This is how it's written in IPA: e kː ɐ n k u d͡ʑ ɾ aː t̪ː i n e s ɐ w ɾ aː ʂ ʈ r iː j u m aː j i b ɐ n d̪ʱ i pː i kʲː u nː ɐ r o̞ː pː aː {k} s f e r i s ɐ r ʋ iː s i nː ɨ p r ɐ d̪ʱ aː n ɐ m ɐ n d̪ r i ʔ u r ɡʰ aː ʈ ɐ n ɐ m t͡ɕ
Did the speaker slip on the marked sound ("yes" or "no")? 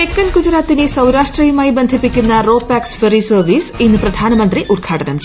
no